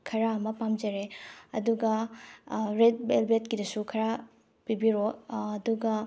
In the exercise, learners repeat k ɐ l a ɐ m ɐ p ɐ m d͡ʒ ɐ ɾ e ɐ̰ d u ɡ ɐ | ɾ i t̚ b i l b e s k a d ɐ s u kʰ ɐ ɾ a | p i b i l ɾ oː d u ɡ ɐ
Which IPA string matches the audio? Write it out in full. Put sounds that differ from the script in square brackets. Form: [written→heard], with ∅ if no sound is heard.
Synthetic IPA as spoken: [k→kʰ] ɐ [l→ɾ] a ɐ m ɐ p [ɐ→a] m d͡ʒ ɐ ɾ e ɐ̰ d u ɡ ɐ | ɾ [i→e] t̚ b [i→e] l b e [s→t] k [a→i] d ɐ s u kʰ ɐ ɾ a | p i b i [l→∅] ɾ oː d u ɡ ɐ